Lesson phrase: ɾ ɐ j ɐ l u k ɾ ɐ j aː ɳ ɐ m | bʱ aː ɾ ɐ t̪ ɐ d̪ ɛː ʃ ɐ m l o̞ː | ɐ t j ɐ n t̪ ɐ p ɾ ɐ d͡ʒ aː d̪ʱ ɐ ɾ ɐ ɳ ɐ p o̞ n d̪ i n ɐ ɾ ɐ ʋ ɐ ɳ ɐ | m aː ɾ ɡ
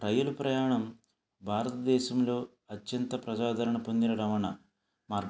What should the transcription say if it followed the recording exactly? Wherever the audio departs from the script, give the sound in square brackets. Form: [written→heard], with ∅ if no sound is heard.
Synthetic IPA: ɾ ɐ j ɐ l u [k→p] ɾ ɐ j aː ɳ ɐ m | bʱ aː ɾ ɐ t̪ ɐ d̪ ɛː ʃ ɐ m l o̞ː | ɐ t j ɐ n t̪ ɐ p ɾ ɐ d͡ʒ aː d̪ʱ ɐ ɾ ɐ ɳ ɐ p o̞ n d̪ i n ɐ ɾ ɐ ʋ ɐ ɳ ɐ | m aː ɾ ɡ